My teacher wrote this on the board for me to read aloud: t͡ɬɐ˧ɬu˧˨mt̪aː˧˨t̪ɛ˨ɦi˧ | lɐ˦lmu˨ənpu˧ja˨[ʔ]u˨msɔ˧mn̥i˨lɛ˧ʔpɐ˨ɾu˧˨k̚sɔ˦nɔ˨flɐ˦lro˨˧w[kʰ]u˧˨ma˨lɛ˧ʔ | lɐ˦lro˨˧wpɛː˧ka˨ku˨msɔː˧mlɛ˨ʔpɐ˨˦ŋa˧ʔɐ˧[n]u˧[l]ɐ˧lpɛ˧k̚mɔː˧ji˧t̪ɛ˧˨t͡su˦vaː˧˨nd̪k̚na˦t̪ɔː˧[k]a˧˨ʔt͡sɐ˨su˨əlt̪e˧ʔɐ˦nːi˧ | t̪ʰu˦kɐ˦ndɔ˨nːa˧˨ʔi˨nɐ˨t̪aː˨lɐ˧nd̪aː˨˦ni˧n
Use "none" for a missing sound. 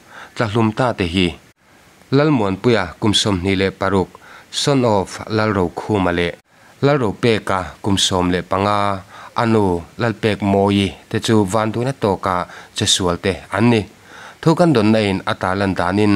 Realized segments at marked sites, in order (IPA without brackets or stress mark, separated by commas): k, kʰ, n, l, k